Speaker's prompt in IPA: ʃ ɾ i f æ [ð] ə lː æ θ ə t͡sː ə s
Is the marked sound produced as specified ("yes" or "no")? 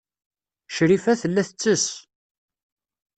no